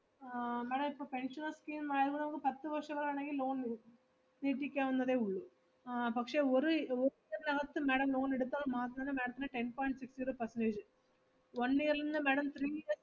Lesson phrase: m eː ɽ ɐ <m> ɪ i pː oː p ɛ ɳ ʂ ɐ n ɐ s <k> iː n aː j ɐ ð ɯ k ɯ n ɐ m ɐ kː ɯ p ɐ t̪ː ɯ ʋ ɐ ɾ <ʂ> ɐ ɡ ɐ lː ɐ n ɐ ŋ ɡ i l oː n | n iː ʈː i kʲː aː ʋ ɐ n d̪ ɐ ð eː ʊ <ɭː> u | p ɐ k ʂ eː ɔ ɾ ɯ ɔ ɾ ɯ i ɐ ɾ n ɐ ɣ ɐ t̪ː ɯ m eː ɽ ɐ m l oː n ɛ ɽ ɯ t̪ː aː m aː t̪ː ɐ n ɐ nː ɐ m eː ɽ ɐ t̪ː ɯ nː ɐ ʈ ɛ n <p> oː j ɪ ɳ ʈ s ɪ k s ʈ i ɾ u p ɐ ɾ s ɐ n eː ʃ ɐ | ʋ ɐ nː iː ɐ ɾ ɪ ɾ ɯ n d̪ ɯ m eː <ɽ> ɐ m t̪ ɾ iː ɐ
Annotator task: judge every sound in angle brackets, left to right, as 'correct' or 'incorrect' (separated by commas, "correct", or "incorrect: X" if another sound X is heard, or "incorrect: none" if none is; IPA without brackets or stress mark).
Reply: correct, correct, correct, correct, correct, correct